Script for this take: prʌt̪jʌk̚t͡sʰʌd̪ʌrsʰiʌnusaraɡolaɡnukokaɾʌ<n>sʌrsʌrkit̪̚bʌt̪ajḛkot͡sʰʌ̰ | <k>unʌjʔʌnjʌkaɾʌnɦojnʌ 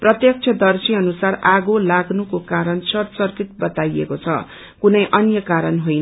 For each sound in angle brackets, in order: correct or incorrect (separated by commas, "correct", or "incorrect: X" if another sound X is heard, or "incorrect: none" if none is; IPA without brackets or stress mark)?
correct, correct